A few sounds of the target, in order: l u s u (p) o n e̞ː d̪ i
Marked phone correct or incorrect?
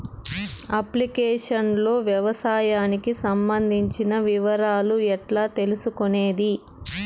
incorrect